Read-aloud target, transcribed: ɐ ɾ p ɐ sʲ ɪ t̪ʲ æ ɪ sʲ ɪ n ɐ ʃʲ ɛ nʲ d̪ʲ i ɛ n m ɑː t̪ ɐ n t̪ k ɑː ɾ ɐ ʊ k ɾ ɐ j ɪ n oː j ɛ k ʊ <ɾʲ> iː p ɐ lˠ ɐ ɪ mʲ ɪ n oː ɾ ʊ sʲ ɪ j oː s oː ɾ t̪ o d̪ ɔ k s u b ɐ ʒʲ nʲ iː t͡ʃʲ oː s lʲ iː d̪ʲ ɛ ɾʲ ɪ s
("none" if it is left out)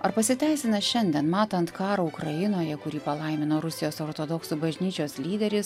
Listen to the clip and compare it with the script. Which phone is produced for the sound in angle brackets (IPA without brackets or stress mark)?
ɾʲ